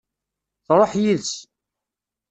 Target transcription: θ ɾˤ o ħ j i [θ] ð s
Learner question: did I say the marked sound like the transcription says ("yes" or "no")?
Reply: no